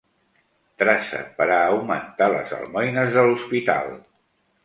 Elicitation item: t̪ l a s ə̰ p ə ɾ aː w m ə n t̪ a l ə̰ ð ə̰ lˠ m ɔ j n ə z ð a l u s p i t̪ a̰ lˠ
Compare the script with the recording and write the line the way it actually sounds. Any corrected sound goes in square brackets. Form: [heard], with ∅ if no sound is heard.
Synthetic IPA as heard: t̪ [ɾ] a s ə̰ p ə ɾ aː w m ə n t̪ a l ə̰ [z] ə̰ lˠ m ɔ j n ə z ð [ə] l u s p i t̪ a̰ lˠ